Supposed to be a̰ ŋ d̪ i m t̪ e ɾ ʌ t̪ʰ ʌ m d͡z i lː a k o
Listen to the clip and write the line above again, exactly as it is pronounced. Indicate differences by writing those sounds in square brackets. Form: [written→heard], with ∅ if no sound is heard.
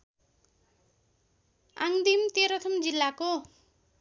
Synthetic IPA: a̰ ŋ d̪ i m t̪ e ɾ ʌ t̪ʰ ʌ m d͡z i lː a k o